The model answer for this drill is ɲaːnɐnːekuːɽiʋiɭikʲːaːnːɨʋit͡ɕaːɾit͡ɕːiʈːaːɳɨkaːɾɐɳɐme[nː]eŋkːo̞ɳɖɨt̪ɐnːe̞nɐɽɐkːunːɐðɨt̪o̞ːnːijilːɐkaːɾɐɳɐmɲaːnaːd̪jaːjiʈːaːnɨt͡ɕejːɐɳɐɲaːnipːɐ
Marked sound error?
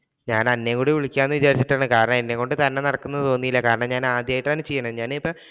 no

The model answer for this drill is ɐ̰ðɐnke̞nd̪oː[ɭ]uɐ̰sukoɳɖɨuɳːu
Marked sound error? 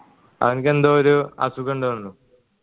yes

